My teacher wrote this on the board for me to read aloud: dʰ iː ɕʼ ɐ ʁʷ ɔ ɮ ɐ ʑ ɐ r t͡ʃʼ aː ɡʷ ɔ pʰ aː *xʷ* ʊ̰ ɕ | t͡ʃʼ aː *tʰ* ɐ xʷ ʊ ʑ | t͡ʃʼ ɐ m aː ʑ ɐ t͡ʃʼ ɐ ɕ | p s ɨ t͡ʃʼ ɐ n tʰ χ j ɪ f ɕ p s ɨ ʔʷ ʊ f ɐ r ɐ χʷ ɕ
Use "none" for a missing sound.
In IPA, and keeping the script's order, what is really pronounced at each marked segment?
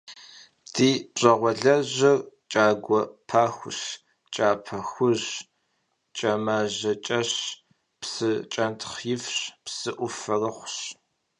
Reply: xʷ, pʰ

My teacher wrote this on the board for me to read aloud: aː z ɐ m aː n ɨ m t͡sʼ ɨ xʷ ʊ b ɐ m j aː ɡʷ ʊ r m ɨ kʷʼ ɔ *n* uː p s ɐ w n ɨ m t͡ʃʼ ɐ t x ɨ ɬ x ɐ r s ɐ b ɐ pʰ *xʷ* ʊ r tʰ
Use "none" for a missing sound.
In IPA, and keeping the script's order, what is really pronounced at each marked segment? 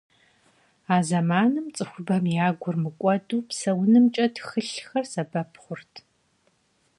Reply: d, χʷ

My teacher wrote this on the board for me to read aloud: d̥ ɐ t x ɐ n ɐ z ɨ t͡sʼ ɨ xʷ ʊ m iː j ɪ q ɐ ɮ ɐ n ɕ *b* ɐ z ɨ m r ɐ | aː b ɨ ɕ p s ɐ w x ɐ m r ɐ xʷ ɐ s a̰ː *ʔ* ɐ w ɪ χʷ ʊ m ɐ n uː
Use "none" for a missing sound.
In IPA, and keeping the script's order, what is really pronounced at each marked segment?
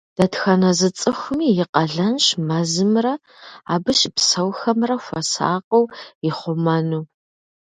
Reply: m, q

